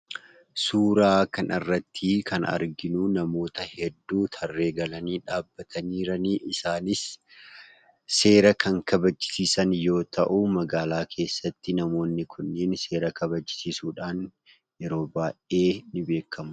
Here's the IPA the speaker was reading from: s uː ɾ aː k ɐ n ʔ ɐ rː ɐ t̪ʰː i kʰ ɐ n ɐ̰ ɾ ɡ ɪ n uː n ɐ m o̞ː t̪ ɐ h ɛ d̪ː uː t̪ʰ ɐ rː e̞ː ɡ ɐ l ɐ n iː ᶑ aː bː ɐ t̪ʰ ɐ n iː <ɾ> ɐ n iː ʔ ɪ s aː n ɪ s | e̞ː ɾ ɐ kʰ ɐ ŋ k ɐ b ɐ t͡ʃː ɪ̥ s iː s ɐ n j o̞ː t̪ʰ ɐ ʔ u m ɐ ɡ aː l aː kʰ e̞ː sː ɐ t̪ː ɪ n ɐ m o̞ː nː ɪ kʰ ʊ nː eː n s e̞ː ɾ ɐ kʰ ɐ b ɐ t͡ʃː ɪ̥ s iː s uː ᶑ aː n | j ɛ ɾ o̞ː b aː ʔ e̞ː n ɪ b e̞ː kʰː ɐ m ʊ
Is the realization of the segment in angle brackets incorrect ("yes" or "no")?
no